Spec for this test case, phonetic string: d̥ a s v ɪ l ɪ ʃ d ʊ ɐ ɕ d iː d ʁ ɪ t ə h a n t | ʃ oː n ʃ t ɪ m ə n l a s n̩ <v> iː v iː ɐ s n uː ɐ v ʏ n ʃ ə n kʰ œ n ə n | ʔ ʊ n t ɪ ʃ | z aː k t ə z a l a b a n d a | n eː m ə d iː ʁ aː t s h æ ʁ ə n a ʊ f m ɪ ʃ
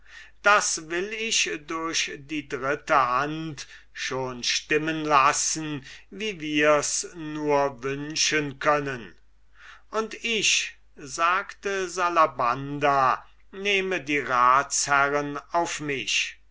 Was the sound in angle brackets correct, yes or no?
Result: yes